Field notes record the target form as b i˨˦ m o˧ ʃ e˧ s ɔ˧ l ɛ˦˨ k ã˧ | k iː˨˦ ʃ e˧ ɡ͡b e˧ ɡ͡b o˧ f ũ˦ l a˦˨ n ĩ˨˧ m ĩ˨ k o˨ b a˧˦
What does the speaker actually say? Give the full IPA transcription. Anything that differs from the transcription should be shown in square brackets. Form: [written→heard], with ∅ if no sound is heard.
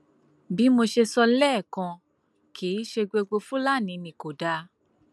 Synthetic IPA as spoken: b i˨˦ m o˧ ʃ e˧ s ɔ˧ l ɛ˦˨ k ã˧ | k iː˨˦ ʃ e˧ ɡ͡b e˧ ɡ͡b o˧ f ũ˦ l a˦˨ n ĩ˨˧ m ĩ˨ k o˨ [b→d] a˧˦